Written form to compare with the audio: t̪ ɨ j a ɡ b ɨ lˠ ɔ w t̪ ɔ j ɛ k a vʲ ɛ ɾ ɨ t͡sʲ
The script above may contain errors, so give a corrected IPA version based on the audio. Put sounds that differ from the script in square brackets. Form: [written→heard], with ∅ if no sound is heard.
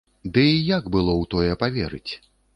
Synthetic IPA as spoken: [t̪→d̪] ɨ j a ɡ b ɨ lˠ ɔ w t̪ ɔ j ɛ [k→p] a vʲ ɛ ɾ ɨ t͡sʲ